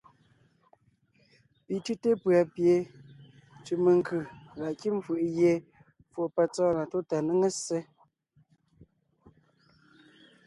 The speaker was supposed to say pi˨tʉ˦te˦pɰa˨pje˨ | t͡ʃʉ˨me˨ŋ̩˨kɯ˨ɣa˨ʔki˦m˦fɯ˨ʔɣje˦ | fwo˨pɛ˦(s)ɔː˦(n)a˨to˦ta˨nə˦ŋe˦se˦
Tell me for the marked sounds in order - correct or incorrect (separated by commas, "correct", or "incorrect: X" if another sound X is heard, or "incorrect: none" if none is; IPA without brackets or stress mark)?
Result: incorrect: t͡s, correct